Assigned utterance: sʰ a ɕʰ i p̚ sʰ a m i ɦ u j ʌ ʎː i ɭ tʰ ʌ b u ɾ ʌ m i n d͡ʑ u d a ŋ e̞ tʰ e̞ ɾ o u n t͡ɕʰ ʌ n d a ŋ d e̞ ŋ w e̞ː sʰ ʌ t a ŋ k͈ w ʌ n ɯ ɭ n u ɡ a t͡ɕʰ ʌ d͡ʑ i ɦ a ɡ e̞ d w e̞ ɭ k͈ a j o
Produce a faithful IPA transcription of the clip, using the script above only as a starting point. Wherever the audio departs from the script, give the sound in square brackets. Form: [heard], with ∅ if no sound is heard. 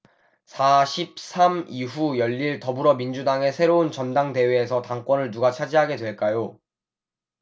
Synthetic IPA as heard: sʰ a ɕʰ i p̚ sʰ a m i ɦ u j ʌ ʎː i ɭ [t] ʌ b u ɾ ʌ m i n d͡ʑ u d a ŋ e̞ [sʰ] e̞ ɾ o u n [t͡ɕ] ʌ n d a ŋ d e̞ [∅] w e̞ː sʰ ʌ t a ŋ k͈ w ʌ n ɯ ɭ n u ɡ a t͡ɕʰ [a] d͡ʑ i ɦ a ɡ e̞ d w e̞ ɭ k͈ a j o